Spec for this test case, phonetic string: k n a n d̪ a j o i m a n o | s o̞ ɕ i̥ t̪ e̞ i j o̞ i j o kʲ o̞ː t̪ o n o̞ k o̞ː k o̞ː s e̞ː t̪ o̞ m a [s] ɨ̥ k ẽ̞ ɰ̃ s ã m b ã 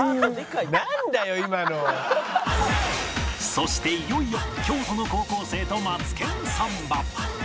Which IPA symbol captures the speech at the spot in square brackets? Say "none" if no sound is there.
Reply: t͡s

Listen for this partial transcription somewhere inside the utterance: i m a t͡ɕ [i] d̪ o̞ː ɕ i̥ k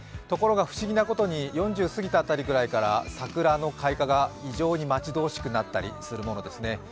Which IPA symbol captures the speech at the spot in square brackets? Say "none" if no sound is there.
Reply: i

